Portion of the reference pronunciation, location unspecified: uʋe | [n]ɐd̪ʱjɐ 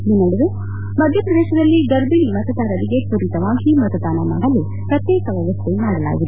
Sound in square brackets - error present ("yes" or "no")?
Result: yes